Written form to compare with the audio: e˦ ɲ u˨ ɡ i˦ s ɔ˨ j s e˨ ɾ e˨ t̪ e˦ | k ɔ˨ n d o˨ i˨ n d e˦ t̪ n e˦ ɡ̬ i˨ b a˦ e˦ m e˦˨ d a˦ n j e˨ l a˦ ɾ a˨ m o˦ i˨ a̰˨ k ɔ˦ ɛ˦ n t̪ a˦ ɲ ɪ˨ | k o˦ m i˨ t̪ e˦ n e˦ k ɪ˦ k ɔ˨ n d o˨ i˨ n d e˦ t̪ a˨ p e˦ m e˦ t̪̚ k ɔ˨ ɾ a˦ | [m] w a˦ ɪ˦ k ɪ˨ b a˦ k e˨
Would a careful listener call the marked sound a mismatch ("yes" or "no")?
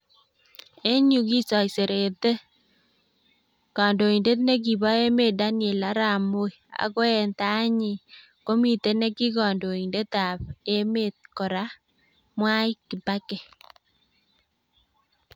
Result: no